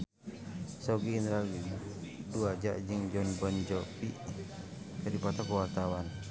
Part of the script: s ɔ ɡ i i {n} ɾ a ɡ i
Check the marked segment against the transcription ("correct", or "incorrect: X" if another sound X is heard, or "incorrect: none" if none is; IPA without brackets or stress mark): correct